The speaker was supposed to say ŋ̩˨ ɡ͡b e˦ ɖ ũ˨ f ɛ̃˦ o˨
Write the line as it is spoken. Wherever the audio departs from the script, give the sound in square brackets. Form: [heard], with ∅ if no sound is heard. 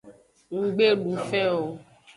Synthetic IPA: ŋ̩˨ ɡ͡b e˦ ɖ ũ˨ f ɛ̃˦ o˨